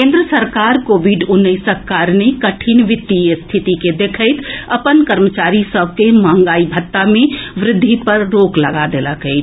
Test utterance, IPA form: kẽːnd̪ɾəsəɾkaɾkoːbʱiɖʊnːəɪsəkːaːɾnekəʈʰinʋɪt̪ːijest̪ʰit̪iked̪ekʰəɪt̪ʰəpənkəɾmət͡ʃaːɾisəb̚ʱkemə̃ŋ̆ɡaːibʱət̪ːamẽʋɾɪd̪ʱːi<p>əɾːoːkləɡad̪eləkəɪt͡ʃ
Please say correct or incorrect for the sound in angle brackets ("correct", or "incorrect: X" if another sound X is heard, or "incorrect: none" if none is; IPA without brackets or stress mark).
correct